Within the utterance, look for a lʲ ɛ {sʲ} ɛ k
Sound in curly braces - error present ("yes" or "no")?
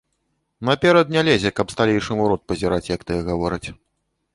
yes